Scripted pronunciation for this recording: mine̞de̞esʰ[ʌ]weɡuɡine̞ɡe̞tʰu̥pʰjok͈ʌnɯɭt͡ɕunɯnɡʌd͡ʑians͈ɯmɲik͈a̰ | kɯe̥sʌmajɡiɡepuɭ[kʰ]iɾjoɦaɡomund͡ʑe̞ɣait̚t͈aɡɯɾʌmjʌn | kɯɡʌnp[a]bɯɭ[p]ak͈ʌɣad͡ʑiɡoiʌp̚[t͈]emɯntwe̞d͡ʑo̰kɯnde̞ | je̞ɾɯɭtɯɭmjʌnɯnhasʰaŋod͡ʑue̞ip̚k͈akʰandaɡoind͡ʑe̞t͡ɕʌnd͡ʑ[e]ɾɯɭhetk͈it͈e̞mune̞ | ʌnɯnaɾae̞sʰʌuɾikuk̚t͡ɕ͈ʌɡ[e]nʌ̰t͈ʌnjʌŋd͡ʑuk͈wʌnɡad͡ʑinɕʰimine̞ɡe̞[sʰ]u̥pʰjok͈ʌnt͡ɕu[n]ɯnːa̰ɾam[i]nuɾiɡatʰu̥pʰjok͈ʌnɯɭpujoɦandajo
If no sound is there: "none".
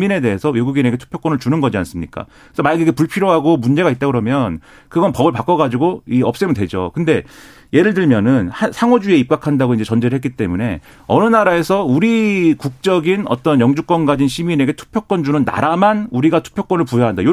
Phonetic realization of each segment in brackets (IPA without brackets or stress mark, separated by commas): ʌ, pʰ, ʌ, p, s͈, e, i, tʰ, n, a